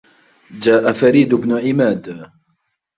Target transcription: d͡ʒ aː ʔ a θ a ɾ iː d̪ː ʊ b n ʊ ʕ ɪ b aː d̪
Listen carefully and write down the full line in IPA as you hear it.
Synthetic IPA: d͡ʒ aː ʔ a f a ɾ iː d̪ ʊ b n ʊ ʕ ɪ m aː d̪